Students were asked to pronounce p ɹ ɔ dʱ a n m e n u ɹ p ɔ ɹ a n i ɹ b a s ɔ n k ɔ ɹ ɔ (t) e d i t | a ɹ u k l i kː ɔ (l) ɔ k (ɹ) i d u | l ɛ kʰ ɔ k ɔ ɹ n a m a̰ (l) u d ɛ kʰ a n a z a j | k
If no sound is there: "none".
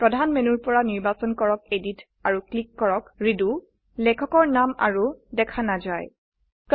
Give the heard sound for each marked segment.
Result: k, ɹ, ɹ, ɹ

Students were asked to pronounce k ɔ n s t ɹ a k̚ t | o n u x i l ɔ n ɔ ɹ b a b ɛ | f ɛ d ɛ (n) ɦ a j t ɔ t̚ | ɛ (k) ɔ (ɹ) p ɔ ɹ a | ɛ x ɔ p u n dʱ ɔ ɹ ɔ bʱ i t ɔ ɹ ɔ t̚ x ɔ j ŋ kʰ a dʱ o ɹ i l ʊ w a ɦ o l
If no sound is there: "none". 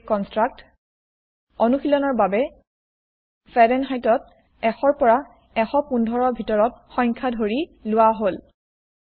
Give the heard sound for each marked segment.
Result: n, x, ɹ

